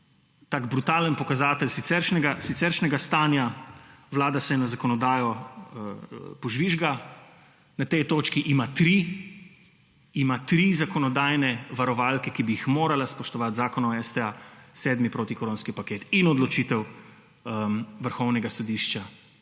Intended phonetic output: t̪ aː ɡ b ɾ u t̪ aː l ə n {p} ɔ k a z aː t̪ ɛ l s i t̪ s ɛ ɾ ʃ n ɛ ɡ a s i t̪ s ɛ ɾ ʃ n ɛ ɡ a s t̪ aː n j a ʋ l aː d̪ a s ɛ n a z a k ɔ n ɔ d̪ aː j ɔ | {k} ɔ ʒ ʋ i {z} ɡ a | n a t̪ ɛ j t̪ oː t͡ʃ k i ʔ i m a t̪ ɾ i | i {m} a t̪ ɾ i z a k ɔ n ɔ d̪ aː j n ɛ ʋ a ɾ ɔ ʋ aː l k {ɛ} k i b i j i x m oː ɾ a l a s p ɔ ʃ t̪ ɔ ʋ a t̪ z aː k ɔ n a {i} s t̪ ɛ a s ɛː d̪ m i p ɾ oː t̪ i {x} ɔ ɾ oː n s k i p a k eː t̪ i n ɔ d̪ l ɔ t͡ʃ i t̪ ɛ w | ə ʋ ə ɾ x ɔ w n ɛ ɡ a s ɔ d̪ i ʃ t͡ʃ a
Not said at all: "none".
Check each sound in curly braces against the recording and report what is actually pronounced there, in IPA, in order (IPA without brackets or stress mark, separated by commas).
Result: p, p, ʒ, m, ɛ, ɛ, k